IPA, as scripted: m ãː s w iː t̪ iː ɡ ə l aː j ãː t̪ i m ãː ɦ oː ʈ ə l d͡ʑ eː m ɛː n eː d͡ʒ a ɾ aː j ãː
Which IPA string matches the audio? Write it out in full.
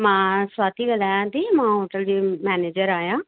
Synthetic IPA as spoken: m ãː s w aː t̪ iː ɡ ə l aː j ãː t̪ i m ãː ɦ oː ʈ ə l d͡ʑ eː m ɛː n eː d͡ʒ ə ɾ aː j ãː